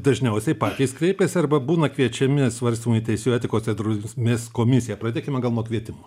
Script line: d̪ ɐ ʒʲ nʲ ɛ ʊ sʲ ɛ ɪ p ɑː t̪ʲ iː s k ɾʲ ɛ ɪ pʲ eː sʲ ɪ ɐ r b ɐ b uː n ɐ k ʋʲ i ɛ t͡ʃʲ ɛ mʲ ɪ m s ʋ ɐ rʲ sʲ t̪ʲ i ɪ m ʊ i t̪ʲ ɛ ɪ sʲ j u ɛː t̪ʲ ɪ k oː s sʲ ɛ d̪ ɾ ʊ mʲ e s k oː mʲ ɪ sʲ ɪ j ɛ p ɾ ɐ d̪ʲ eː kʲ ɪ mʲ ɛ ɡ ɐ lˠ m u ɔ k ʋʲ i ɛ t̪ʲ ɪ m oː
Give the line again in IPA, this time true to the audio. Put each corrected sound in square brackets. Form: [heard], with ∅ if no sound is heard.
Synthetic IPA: d̪ ɐ ʒʲ nʲ ɛ ʊ sʲ ɛ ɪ p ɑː t̪ʲ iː s k ɾʲ ɛ ɪ pʲ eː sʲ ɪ ɐ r b ɐ b uː n ɐ k ʋʲ i ɛ t͡ʃʲ ɛ mʲ ɪ [∅] s ʋ ɐ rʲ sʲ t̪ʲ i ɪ m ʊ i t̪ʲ ɛ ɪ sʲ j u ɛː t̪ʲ ɪ k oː s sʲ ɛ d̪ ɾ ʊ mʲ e s k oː mʲ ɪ sʲ ɪ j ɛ p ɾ ɐ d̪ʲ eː kʲ ɪ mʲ ɛ ɡ ɐ lˠ [n] u ɔ k ʋʲ i ɛ t̪ʲ ɪ m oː